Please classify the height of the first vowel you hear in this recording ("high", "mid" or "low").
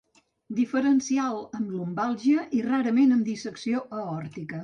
high